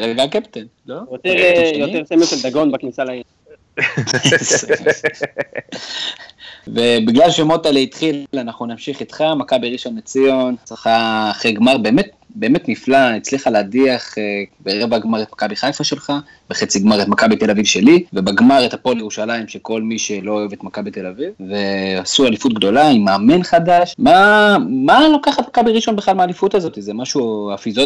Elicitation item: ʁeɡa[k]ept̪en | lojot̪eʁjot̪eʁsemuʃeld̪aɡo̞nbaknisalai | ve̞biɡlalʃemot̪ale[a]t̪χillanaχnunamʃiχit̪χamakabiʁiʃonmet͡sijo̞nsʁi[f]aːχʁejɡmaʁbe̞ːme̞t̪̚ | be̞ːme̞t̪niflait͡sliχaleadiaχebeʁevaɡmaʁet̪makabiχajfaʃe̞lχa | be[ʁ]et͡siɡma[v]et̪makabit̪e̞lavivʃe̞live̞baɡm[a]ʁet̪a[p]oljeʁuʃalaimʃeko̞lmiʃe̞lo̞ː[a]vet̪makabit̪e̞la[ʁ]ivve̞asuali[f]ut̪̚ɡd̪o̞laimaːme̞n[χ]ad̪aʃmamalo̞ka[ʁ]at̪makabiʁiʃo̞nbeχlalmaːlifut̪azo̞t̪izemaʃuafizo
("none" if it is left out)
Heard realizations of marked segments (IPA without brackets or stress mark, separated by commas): k, i, χ, χ, ʁ, a, p, e, v, f, χ, χ